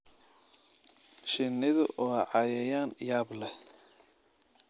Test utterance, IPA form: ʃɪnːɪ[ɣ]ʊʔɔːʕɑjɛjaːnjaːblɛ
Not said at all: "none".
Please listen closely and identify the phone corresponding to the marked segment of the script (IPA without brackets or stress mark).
ð